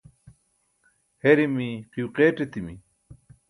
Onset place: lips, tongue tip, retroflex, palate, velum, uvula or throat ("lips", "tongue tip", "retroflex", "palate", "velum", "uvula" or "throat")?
throat